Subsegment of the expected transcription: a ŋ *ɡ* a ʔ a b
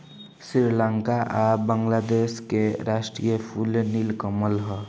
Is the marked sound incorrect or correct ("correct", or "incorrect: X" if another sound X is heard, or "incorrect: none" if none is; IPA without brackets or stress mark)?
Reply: incorrect: k